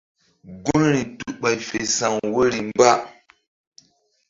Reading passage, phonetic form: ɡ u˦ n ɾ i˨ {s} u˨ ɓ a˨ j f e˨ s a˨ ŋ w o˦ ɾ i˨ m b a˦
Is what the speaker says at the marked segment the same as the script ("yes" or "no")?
no